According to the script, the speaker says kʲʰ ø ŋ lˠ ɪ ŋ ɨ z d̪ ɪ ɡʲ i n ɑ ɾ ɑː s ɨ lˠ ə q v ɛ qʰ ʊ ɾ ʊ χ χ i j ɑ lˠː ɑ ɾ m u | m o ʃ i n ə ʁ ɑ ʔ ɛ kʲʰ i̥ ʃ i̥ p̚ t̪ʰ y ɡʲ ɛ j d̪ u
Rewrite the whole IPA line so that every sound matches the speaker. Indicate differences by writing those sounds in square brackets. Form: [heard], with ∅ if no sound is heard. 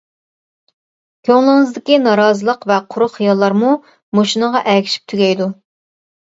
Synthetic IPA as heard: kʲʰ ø ŋ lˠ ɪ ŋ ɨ z d̪ ɪ [kʲ] i n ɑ ɾ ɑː [z] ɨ lˠ ə q v ɛ qʰ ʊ ɾ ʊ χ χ i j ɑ lˠː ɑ ɾ m u | m o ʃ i n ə ʁ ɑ ʔ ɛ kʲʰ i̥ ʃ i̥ p̚ t̪ʰ y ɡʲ ɛ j d̪ u